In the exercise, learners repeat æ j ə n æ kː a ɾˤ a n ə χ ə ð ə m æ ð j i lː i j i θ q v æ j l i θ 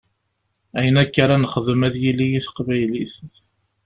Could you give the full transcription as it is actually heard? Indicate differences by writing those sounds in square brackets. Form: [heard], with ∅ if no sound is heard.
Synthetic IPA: æ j ə n æ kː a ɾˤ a n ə χ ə ð ə m æ ð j i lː i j i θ q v æ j l i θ